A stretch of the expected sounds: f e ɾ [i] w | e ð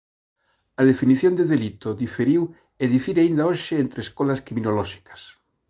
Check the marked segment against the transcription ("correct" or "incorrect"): correct